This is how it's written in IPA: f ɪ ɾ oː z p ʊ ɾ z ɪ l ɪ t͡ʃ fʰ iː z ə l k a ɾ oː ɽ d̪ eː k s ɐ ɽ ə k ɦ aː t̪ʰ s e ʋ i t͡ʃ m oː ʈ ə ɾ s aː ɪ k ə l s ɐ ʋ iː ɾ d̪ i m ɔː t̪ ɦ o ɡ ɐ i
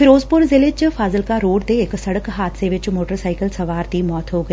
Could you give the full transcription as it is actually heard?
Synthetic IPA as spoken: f ɪ ɾ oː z p ʊ ɾ z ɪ l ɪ t͡ʃ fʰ aː z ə l k a ɾ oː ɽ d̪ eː k s ɐ ɽ ə k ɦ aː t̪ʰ s e ʋ ɪ t͡ʃ m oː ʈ ə ɾ s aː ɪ k ə l s ɐ ʋ aː ɾ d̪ i m ɔː t̪ ɦ o ɡ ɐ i